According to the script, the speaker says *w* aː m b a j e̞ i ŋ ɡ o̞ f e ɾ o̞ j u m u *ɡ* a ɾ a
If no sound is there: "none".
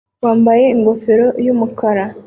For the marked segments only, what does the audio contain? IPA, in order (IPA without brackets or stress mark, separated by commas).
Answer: w, k